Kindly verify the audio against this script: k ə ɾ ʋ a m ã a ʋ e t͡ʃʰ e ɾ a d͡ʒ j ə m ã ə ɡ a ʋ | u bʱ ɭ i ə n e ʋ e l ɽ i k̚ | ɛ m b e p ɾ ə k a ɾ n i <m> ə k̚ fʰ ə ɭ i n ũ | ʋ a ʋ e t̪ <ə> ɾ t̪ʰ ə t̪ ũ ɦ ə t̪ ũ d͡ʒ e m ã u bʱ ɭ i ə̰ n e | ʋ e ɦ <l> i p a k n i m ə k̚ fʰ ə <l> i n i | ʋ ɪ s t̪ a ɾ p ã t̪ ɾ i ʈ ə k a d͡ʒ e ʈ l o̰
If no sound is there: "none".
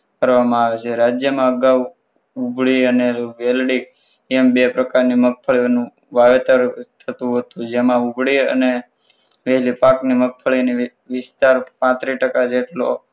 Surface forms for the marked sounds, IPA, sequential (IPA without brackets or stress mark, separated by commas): m, ə, l, ɭ